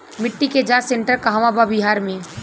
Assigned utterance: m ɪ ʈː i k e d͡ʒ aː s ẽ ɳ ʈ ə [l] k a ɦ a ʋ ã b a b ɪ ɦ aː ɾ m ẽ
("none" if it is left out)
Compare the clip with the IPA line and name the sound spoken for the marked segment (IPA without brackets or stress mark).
ɾ